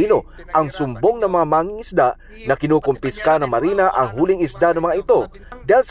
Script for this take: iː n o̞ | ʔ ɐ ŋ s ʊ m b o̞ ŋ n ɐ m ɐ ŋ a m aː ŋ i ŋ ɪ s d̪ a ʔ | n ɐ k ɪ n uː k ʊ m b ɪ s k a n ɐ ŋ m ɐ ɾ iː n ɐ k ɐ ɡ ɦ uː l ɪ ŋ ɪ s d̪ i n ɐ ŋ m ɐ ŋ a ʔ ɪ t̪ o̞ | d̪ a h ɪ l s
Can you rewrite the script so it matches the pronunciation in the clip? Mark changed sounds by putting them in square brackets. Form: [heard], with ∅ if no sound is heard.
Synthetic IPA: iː n o̞ | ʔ ɐ ŋ s ʊ m b o̞ ŋ n ɐ m ɐ ŋ a m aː ŋ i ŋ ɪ s d̪ a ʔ | n ɐ k ɪ n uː k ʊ m [p] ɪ s k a n ɐ ŋ m ɐ ɾ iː n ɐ [ʔ] ɐ [ŋ] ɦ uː l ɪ ŋ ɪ s d̪ [a] n ɐ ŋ m ɐ ŋ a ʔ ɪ t̪ o̞ | d̪ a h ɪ l s